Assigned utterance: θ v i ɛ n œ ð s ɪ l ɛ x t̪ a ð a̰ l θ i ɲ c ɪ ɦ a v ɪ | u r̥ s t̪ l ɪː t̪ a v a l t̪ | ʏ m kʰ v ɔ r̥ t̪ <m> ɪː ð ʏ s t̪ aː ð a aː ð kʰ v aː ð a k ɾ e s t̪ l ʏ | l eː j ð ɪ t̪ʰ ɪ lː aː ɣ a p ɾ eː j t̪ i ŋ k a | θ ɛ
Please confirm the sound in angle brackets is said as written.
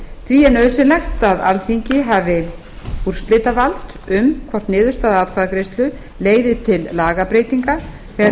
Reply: no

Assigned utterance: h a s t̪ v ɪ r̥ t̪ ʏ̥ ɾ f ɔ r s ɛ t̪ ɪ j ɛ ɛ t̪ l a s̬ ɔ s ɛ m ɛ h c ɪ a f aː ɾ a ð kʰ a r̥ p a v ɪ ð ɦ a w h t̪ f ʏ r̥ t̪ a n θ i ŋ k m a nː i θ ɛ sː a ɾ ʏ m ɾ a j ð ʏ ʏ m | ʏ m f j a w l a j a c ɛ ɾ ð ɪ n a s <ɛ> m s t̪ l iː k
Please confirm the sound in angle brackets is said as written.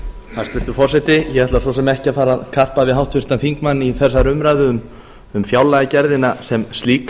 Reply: yes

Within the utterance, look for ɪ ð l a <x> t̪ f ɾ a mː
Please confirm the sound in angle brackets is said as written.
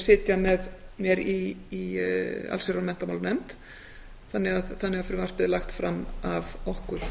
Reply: yes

